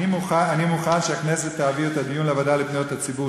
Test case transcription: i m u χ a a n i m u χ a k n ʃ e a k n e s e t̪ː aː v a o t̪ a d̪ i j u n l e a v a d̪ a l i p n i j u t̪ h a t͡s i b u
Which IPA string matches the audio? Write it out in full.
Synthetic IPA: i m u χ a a n i m u χ a n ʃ e a k n e s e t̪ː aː v i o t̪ a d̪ i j u n l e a v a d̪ a l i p n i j o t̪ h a t͡s i b u